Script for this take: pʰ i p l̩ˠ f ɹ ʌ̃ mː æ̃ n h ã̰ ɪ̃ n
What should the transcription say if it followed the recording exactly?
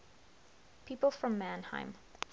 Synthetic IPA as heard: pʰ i p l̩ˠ f ɹ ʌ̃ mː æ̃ n h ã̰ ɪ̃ m